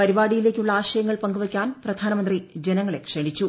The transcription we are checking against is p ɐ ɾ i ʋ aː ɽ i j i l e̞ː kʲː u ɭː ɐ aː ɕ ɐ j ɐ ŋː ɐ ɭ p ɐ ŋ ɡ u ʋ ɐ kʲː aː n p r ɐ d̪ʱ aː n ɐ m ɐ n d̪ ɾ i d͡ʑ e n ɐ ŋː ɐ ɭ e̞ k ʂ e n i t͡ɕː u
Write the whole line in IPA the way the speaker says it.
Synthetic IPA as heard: p ɐ ɾ i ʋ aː ɽ i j i l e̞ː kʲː u ɭː ɐ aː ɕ ɐ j ɐ ŋː ɐ ɭ p ɐ ŋ ɡ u ʋ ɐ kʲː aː n p r ɐ d̪ʱ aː n ɐ m ɐ n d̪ r i d͡ʑ e n ɐ ŋː ɐ ɭ e̞ k ʂ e ɳ i t͡ɕː u